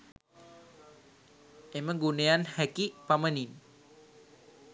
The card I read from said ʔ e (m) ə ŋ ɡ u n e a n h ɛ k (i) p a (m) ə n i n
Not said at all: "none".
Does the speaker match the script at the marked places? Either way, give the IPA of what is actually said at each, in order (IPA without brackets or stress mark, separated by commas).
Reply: m, i, m